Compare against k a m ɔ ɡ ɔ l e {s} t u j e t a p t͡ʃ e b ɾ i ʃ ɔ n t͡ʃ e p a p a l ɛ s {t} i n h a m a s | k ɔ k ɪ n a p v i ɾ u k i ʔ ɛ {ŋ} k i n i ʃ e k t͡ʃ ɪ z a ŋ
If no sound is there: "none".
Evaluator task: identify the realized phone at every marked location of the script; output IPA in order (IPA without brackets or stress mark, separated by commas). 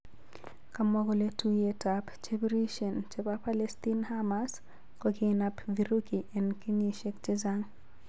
none, t, n